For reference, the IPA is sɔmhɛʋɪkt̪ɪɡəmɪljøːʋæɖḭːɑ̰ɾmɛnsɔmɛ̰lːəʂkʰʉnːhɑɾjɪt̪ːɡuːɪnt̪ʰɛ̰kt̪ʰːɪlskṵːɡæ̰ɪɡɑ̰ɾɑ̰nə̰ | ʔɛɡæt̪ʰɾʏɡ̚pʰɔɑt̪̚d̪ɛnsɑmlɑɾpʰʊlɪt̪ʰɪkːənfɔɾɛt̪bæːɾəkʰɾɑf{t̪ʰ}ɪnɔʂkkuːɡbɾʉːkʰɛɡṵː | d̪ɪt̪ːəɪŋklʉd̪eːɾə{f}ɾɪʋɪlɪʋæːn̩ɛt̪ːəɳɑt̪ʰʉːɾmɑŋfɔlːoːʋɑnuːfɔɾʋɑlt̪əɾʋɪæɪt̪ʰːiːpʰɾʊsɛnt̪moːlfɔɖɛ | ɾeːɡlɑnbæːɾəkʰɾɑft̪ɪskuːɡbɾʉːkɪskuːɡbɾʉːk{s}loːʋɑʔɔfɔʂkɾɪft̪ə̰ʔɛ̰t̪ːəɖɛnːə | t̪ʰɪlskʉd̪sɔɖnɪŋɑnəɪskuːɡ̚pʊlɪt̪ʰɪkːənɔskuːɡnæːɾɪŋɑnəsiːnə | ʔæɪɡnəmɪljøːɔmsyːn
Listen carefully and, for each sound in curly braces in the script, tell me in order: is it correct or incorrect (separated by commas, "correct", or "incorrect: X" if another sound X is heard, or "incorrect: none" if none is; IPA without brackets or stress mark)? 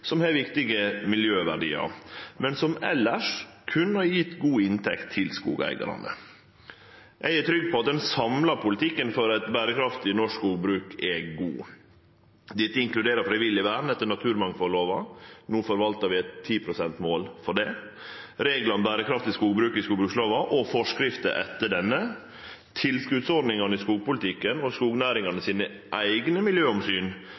incorrect: t̪, correct, correct